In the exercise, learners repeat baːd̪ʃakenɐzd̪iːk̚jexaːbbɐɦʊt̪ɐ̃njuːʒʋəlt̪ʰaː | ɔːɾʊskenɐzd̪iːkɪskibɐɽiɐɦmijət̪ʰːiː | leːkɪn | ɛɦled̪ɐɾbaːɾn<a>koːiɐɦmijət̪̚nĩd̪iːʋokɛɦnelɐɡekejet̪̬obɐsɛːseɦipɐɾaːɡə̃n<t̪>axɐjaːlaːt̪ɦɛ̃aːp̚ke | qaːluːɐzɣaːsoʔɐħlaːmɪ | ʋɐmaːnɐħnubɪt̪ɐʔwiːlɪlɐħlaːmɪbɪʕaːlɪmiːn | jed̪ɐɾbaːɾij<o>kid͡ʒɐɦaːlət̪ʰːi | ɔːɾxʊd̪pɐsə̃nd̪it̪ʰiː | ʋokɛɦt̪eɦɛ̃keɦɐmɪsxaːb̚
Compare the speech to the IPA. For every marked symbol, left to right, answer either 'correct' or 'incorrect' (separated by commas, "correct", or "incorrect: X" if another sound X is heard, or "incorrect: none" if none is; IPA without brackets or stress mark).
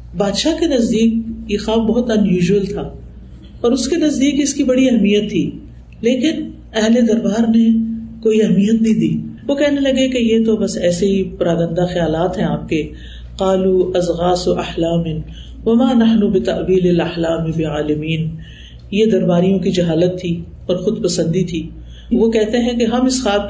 incorrect: e, incorrect: d̪, incorrect: õ